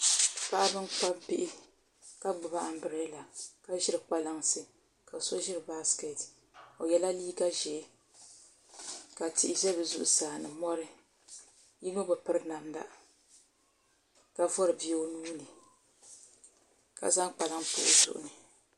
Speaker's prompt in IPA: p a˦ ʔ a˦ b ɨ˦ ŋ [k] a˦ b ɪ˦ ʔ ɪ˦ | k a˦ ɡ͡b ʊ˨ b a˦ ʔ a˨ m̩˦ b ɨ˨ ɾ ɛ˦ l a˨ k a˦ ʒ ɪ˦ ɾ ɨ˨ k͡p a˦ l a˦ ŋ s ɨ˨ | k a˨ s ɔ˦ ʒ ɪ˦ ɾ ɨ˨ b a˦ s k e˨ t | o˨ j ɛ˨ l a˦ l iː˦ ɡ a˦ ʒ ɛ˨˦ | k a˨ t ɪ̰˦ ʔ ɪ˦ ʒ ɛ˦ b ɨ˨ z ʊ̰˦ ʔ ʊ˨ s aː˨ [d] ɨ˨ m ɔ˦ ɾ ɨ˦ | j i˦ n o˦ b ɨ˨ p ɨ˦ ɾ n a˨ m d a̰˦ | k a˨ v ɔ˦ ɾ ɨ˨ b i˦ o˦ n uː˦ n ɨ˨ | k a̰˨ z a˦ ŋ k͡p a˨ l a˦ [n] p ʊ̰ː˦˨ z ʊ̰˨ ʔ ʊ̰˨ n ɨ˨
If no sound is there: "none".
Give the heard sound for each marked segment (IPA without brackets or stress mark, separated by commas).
k͡p, n, ŋ